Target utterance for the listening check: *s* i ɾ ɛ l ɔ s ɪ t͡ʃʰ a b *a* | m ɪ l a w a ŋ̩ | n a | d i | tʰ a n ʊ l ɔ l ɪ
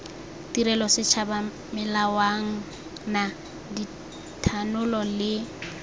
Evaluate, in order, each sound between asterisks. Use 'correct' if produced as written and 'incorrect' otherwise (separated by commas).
incorrect, correct